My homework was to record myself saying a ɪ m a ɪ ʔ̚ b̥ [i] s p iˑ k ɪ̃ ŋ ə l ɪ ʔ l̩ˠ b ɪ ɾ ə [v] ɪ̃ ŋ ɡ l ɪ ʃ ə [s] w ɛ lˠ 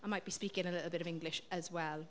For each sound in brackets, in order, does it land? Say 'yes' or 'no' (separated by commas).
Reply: yes, yes, no